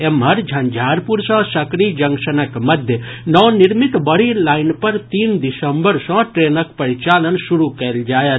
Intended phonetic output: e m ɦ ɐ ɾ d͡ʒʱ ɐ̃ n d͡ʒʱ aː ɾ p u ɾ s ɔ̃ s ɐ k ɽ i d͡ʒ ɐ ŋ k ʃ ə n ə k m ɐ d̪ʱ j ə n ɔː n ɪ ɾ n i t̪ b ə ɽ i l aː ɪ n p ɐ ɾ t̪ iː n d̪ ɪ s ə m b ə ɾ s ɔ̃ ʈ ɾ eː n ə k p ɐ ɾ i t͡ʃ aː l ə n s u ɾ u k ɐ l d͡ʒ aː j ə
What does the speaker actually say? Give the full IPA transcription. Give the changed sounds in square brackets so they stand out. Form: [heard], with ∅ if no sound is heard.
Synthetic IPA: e m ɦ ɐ ɾ d͡ʒʱ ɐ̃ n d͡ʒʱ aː ɾ p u ɾ s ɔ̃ s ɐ k [ɾ] i d͡ʒ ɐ ŋ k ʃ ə n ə k m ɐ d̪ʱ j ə n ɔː n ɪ ɾ [m] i t̪ b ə ɽ i l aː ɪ n p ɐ ɾ t̪ iː n d̪ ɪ s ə m b ə ɾ s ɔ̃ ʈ ɾ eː n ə k p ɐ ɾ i t͡ʃ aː l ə n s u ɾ u k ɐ l d͡ʒ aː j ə